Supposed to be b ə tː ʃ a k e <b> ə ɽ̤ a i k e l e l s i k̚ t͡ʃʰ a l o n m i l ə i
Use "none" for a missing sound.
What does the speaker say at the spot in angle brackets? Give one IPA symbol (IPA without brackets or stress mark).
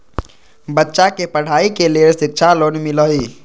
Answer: p